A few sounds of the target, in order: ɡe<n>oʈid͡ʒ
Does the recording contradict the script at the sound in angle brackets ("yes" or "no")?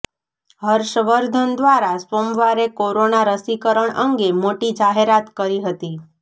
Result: yes